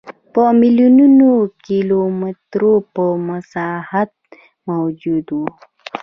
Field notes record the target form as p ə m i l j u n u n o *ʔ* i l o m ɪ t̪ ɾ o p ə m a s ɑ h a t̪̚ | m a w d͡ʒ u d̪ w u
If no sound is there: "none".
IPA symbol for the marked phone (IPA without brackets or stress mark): k